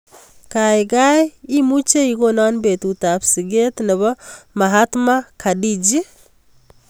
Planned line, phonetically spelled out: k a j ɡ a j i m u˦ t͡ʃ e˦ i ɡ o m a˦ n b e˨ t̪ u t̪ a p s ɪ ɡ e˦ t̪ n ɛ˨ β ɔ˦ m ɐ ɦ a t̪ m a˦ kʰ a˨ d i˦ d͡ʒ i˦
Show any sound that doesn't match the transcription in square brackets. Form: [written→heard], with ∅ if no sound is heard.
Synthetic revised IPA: k a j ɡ a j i m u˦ t͡ʃ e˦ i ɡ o [m→n] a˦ n b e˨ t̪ u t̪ a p s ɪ ɡ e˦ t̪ n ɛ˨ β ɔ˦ m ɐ ɦ a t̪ m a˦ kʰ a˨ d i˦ d͡ʒ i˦